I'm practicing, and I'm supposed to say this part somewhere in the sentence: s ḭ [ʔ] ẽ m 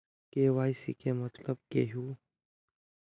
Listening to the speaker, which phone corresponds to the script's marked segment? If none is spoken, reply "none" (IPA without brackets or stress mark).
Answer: k